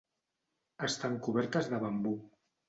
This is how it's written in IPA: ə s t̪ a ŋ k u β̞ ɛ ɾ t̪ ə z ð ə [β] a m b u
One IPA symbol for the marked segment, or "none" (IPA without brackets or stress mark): β